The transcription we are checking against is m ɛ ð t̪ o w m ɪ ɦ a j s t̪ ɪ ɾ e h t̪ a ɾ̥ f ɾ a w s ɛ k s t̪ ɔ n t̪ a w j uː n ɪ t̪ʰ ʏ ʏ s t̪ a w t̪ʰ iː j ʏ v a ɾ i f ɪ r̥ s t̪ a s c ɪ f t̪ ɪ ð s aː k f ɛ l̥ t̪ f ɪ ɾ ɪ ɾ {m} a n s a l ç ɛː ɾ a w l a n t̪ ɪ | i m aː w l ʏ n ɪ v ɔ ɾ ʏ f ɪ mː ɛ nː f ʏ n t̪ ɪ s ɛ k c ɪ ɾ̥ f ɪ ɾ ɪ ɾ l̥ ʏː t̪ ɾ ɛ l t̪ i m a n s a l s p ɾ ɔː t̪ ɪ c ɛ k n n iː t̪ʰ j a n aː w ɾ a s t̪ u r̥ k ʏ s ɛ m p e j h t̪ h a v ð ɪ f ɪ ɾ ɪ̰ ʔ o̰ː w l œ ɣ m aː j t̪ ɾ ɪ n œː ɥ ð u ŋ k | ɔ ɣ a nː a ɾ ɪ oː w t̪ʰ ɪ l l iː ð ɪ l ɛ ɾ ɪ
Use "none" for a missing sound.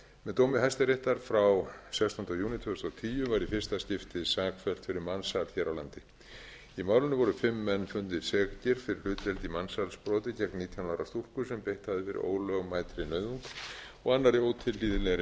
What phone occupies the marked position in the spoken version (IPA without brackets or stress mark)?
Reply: m